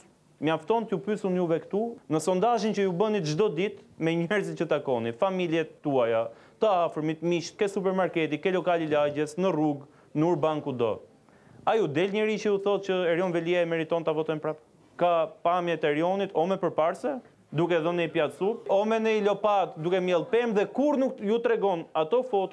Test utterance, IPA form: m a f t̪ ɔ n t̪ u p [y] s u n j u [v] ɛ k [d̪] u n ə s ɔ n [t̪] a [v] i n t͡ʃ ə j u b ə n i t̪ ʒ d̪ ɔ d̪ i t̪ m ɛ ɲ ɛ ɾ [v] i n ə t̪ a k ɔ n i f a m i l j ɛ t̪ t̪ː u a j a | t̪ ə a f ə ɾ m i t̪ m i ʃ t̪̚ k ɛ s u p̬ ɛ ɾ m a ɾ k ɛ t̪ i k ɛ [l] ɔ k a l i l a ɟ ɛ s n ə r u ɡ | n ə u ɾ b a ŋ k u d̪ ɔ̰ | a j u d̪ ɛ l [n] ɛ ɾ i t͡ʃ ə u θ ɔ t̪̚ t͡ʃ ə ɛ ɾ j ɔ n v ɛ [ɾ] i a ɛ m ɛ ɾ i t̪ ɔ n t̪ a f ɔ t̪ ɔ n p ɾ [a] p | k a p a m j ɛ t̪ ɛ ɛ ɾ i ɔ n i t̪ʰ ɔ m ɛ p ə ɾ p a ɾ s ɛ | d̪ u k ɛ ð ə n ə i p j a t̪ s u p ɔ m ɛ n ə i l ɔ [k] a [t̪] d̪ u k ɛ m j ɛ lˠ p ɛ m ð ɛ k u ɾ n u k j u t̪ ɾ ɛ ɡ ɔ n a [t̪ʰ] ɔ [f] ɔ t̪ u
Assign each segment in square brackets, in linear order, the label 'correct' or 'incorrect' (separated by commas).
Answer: correct, correct, incorrect, incorrect, incorrect, incorrect, correct, incorrect, incorrect, correct, incorrect, correct, incorrect, correct